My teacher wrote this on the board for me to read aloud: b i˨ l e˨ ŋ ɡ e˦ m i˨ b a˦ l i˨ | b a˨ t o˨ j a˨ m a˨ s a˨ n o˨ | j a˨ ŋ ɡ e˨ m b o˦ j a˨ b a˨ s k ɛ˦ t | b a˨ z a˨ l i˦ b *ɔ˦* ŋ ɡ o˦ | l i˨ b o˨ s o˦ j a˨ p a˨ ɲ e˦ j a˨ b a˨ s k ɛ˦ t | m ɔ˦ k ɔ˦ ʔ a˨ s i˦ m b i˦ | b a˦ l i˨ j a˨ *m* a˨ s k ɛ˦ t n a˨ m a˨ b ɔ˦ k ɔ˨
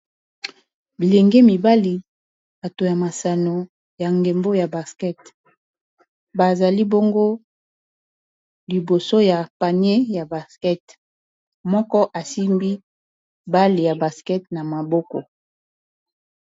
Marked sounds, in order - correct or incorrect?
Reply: incorrect, incorrect

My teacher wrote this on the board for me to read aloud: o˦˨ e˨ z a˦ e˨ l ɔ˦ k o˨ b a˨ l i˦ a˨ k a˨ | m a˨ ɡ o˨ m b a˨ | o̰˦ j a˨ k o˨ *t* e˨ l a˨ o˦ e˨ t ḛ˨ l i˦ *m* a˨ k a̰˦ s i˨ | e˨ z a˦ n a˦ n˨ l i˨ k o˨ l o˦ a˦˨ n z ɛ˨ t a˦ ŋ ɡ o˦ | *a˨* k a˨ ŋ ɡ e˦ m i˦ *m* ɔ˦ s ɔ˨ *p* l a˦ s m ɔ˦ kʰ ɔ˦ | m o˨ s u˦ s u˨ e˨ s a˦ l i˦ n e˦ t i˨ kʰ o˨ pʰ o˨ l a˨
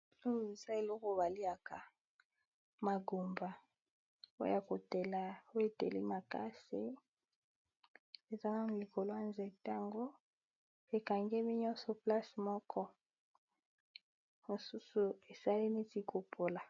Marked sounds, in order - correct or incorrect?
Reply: correct, correct, incorrect, incorrect, correct

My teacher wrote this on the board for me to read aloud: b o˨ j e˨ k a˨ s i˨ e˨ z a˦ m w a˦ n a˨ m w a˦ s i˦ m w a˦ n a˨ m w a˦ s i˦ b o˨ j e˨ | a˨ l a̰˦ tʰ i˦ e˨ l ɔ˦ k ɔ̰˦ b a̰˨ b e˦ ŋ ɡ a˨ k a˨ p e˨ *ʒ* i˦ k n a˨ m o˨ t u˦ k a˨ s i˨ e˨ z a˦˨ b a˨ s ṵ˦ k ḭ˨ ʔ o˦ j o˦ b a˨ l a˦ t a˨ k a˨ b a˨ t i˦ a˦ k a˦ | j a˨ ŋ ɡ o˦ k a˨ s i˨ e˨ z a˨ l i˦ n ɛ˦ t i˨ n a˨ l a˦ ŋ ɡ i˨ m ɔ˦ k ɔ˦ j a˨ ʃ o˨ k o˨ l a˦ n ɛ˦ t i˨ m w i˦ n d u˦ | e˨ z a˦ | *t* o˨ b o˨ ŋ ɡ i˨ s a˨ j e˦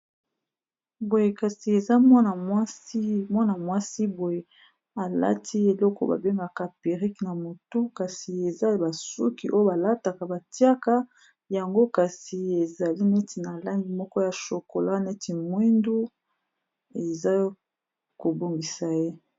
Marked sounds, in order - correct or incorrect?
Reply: incorrect, incorrect

